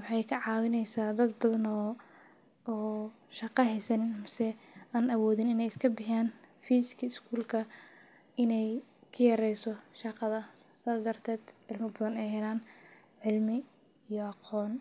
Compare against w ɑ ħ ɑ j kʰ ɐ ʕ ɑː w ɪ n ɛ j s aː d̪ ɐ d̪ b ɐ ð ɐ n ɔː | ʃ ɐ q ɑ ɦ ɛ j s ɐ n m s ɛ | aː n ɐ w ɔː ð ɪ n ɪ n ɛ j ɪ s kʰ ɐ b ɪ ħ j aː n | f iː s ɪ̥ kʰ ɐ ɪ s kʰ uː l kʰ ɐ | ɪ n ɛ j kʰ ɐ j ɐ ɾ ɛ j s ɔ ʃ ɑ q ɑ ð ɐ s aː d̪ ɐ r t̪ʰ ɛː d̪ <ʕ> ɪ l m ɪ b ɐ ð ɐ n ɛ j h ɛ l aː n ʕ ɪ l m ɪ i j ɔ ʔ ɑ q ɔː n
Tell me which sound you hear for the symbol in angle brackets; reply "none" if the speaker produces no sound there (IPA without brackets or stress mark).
ʕ